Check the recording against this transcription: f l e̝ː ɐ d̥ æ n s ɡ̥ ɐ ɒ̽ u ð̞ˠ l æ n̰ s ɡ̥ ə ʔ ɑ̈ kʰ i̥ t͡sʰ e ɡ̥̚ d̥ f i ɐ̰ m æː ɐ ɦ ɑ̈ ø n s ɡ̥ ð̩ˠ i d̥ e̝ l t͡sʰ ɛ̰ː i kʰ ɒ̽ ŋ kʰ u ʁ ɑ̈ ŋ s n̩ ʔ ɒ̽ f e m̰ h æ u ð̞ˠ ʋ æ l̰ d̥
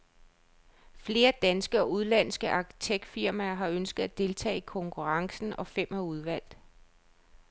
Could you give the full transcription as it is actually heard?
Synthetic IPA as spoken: f l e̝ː ɐ d̥ æ n s ɡ̥ ə ɒ̽ u ð̞ˠ l æ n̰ s ɡ̥ ə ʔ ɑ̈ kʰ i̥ t͡sʰ e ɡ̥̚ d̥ f i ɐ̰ m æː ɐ ɦ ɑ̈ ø n s ɡ̥ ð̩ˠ æ d̥ e̝ l t͡sʰ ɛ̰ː i kʰ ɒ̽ ŋ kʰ u ʁ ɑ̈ ŋ s n̩ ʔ ɒ̽ f e m̰ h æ u ð̞ˠ ʋ æ l̰ d̥